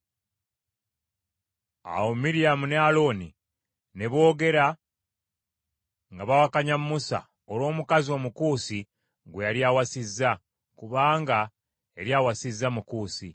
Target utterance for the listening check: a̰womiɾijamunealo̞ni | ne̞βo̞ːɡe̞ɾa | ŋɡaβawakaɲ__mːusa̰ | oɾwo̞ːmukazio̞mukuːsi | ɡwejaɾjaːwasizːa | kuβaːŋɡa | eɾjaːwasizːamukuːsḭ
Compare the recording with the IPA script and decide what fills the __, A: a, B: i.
A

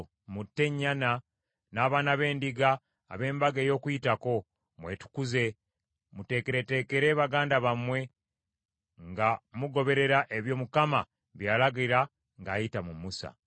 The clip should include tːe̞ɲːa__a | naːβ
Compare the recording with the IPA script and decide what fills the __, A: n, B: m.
A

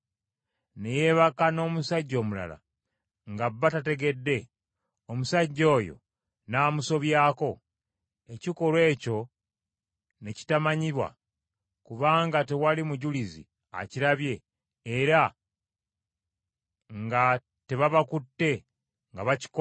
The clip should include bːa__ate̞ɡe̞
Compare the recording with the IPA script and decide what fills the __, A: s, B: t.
B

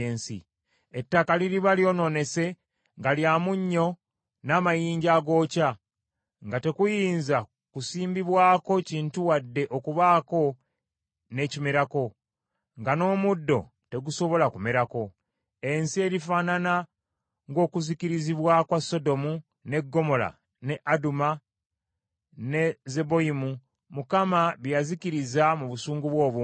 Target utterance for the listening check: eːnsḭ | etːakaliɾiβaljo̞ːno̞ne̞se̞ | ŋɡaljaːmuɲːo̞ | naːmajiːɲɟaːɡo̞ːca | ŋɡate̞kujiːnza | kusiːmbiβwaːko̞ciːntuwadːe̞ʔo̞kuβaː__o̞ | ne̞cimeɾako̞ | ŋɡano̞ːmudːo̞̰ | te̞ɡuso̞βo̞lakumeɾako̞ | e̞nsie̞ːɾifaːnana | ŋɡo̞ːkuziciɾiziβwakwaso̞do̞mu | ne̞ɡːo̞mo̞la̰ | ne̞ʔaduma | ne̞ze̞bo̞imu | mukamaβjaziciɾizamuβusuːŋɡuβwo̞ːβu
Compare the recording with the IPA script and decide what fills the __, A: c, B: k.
B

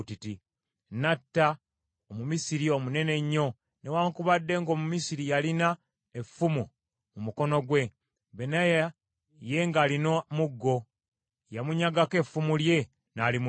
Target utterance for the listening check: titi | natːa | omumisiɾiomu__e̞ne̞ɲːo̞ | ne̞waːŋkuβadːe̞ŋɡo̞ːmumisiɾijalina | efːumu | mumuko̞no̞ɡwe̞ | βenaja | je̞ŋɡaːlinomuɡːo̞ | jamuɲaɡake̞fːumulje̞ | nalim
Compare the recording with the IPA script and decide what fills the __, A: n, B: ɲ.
A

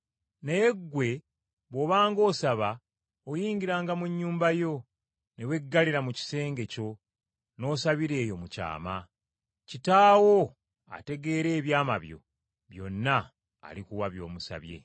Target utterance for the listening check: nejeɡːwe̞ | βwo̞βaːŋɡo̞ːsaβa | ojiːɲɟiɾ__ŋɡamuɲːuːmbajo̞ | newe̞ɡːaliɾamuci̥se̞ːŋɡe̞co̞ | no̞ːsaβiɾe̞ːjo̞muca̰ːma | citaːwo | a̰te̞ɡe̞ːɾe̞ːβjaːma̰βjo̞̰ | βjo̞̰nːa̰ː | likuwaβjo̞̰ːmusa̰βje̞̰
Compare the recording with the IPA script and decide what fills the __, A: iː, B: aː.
B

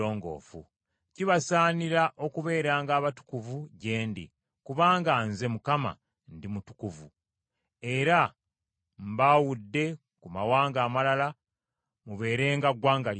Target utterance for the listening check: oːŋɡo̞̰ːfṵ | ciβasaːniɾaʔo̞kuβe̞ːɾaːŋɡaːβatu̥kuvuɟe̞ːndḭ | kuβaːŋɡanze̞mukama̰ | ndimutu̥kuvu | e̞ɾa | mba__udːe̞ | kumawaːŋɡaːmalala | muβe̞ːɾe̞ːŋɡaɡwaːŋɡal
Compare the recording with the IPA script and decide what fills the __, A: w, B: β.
A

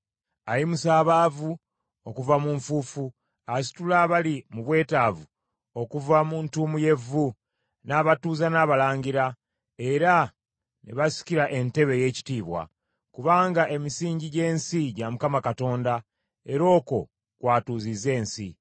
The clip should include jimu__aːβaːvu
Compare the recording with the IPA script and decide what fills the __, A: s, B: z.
A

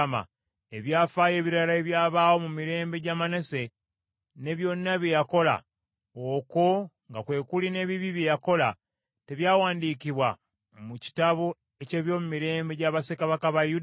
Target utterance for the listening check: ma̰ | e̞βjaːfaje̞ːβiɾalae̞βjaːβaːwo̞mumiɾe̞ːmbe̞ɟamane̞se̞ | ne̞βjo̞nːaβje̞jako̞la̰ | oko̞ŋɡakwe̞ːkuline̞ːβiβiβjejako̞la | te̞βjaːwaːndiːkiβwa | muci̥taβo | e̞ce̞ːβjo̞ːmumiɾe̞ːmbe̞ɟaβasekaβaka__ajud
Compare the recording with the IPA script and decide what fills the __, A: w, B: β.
B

